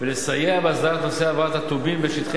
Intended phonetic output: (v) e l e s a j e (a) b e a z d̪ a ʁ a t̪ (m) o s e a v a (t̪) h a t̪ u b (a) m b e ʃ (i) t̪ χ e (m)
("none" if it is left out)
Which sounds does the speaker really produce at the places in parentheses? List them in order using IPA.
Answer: v, a, n, t̪, i, i, none

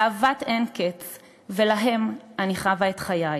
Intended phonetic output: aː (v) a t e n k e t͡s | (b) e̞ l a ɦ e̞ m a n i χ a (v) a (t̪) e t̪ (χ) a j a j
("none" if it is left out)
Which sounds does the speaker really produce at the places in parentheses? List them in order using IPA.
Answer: v, v, v, none, χ

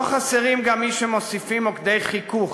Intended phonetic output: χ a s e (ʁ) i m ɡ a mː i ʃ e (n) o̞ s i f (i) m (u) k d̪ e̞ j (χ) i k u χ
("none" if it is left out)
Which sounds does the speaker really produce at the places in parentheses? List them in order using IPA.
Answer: ʁ, m, i, o, χ

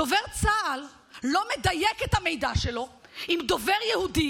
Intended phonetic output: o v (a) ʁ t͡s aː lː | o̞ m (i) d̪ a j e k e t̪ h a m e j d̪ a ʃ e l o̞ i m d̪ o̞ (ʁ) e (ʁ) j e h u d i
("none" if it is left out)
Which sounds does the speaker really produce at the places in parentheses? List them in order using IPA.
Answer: e, e, v, ʁ

